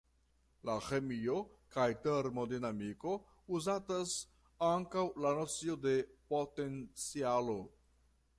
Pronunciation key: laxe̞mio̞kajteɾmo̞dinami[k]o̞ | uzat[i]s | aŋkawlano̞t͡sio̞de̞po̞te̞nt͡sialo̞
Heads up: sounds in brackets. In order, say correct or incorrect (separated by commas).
correct, incorrect